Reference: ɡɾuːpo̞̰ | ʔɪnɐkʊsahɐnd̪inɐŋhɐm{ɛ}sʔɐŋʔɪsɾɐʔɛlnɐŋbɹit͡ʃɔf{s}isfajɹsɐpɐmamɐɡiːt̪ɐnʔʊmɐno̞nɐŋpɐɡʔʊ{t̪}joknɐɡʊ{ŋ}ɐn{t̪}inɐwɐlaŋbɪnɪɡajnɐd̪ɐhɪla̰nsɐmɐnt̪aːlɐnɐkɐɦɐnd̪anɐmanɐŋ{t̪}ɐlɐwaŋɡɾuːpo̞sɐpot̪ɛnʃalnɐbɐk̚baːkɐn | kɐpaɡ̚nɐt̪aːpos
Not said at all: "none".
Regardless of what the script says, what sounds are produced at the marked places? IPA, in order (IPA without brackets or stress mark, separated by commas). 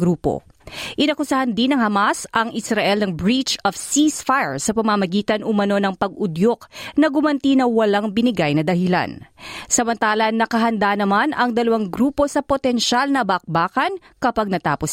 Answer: a, s, d̪, m, t̪, d̪